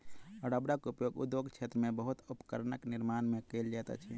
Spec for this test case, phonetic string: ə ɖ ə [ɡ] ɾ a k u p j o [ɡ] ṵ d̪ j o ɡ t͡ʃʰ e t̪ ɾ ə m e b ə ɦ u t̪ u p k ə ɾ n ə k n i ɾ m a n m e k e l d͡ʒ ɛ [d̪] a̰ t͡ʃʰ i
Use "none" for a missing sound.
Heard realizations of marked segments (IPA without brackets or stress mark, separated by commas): b, ɡ, t̪